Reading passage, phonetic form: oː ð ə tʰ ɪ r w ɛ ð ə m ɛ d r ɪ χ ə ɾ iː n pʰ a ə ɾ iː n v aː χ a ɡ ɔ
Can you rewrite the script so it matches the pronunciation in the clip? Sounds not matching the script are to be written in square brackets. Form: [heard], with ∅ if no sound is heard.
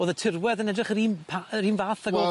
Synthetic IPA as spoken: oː ð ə tʰ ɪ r w ɛ ð ə [n] ɛ d r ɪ χ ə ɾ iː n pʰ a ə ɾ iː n v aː [θ] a ɡ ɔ